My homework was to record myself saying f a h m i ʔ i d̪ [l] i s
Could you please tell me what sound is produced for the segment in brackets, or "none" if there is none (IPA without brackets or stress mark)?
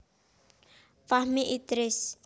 ɾ